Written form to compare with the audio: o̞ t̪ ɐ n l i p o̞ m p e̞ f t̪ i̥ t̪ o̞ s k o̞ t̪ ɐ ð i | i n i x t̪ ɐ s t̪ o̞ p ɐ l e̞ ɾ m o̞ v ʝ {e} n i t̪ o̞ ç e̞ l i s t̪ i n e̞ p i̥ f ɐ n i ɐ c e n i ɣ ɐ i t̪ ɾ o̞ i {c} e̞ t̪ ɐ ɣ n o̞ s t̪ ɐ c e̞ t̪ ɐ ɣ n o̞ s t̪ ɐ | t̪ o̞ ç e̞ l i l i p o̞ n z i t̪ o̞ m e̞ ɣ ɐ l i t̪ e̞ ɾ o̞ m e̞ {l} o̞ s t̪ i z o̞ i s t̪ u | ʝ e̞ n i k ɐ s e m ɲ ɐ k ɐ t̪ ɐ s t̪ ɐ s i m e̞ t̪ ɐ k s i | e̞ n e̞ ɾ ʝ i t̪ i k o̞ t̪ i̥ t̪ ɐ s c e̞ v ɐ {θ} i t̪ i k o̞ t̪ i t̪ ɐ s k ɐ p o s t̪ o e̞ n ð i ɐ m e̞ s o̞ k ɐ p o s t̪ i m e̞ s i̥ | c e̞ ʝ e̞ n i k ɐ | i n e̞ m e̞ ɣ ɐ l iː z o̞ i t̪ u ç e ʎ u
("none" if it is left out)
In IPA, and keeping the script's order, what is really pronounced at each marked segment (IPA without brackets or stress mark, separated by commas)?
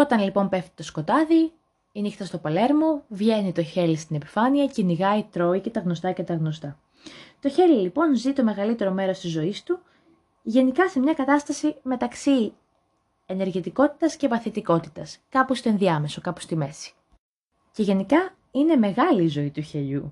e, c, ɾ, θ